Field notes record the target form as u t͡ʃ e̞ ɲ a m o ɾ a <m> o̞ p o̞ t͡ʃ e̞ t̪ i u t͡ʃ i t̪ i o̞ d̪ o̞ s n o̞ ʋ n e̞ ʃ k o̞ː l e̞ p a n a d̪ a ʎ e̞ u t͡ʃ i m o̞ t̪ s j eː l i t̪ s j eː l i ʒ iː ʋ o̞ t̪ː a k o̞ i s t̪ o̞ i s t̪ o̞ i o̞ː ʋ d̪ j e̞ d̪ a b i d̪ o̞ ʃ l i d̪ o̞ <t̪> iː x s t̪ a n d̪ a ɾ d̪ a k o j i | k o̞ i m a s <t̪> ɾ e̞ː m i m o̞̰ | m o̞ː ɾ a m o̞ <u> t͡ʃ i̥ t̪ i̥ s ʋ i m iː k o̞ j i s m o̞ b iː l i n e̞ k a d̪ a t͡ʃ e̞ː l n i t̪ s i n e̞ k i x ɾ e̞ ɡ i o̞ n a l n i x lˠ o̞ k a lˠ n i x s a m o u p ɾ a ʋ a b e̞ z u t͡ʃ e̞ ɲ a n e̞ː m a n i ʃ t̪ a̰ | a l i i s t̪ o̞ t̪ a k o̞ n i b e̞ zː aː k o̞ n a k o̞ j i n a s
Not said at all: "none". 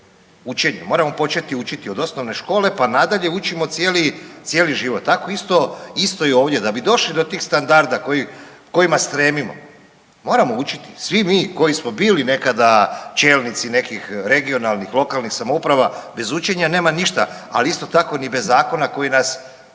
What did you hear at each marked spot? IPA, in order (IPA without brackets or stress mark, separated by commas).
m, t̪, t̪, u